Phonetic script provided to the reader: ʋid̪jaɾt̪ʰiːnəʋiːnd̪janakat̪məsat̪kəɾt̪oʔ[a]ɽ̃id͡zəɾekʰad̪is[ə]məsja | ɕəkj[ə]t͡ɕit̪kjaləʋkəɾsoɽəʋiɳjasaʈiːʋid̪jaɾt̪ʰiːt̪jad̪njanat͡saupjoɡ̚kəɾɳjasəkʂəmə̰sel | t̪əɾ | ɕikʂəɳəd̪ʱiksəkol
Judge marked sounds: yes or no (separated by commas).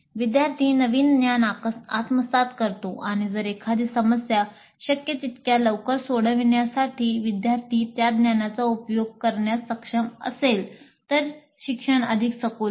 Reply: yes, yes, yes